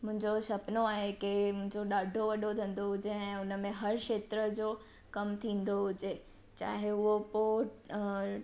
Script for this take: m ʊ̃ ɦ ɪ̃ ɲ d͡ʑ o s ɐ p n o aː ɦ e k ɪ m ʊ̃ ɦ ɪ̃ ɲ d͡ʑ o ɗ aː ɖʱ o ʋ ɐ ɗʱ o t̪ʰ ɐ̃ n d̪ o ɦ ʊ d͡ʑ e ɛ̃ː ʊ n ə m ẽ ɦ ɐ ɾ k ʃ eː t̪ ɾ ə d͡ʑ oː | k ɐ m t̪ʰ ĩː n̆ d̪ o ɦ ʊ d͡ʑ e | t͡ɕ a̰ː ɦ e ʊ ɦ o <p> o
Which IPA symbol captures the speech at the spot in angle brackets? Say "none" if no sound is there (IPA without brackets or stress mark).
p